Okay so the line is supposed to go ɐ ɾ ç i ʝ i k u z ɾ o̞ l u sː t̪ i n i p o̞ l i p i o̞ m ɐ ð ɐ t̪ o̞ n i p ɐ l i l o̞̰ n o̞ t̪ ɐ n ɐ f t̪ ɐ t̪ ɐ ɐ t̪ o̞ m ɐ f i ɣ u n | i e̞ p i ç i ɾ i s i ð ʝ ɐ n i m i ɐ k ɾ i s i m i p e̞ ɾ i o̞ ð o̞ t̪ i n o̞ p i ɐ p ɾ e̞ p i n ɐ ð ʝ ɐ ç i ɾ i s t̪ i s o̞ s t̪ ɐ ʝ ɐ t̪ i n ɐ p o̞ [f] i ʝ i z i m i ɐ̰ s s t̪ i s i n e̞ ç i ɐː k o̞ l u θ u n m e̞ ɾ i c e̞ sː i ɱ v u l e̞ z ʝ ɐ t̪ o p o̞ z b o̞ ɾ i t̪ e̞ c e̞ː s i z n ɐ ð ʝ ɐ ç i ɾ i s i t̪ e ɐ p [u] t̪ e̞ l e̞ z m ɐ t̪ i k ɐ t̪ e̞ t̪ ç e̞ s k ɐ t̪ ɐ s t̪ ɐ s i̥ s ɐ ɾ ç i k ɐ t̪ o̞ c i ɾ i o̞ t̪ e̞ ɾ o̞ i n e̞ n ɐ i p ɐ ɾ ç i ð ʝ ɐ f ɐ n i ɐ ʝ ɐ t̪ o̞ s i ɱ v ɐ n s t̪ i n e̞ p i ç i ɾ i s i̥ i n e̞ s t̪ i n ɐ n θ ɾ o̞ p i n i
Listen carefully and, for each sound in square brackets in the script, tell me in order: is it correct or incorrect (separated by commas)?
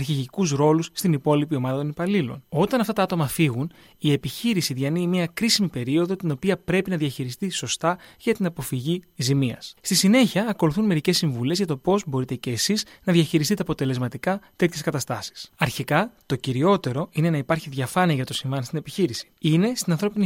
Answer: correct, incorrect